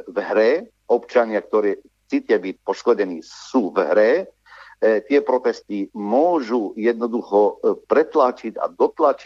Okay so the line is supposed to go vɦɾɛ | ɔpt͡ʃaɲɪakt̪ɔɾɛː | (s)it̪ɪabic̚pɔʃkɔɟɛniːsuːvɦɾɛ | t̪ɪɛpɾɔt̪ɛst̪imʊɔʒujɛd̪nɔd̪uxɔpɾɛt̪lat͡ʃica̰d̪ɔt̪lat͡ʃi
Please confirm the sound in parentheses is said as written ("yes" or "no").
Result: no